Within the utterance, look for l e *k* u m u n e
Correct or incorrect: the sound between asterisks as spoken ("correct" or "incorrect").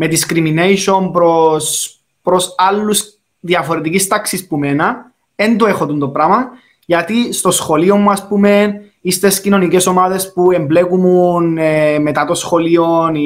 correct